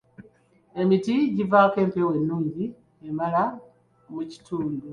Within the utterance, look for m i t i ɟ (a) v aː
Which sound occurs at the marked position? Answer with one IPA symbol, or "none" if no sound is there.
i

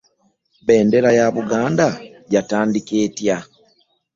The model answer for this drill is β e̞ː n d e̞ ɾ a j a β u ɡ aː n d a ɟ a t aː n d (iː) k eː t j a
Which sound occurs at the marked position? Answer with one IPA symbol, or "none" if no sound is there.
i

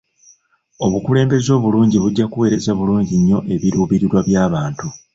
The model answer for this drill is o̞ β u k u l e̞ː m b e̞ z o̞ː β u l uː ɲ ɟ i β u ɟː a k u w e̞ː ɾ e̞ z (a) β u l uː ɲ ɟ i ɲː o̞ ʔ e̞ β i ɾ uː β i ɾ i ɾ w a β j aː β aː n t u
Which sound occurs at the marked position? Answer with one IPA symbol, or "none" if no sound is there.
a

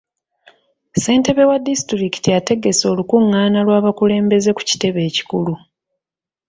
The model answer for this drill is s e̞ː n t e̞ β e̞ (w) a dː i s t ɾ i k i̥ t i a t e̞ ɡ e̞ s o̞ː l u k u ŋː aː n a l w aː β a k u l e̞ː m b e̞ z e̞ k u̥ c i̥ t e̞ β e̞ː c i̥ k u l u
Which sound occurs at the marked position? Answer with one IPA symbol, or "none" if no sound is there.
w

